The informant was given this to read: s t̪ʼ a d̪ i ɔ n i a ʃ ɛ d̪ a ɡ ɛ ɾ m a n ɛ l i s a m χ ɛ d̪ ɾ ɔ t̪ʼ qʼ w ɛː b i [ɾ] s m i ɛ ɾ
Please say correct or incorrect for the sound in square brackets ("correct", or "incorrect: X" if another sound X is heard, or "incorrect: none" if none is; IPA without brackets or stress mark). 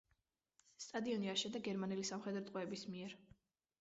incorrect: none